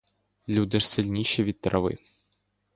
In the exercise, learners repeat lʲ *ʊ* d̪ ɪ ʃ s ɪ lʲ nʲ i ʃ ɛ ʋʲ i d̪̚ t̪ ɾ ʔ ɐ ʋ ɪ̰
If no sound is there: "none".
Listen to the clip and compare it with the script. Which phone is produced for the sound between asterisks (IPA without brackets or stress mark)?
u